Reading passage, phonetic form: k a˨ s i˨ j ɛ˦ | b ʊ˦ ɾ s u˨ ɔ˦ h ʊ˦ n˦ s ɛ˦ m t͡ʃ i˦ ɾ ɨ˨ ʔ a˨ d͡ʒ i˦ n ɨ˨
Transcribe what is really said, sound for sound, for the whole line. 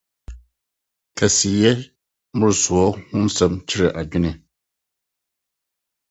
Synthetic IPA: k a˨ s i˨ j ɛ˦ | m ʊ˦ ɾ s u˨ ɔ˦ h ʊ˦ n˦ s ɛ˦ m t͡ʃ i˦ ɾ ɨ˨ ʔ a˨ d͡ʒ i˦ n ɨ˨